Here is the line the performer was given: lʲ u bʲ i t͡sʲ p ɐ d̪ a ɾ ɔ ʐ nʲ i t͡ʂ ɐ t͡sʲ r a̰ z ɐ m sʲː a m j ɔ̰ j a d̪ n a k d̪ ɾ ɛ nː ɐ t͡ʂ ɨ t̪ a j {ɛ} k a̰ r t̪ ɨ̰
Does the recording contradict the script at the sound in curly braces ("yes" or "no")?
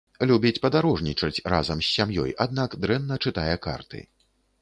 no